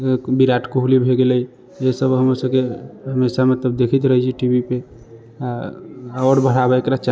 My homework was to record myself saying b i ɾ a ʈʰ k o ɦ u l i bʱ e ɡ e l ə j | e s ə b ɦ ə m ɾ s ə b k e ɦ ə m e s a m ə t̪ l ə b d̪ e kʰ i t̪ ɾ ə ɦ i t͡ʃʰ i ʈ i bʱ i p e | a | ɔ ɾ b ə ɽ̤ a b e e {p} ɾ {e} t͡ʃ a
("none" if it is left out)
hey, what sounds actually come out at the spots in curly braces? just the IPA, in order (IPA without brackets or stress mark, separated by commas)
k, a